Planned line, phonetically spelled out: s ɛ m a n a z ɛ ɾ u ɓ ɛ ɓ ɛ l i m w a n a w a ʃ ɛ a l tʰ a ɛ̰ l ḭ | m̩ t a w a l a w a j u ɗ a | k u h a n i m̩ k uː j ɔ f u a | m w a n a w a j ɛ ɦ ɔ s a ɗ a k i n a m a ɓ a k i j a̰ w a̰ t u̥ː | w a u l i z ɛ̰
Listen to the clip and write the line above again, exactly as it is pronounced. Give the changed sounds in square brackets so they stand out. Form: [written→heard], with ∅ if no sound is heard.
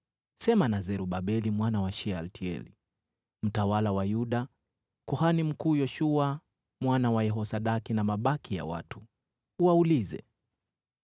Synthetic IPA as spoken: s ɛ m a n a z ɛ ɾ u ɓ [ɛ→a] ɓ ɛ l i m w a n a w a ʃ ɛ a l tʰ [a→i] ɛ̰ l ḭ | m̩ t a w a l a w a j u ɗ a | k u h a n i m̩ k uː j ɔ [f→ʃ] u a | m w a n a w a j ɛ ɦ ɔ s a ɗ a k i n a m a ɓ a k i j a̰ w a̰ t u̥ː | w a u l i z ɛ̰